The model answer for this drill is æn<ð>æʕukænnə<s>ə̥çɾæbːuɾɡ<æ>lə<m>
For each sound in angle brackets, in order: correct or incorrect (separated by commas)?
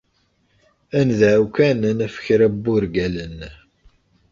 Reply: correct, incorrect, correct, incorrect